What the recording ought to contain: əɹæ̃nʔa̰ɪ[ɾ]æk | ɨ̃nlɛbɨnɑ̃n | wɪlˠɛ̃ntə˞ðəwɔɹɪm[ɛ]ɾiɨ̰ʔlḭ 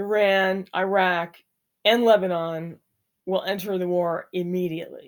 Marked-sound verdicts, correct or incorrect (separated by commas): incorrect, incorrect